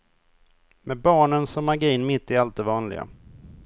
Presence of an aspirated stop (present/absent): absent